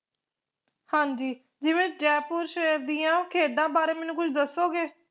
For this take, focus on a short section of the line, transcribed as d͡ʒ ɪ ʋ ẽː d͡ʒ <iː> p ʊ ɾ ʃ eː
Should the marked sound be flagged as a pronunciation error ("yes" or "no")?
yes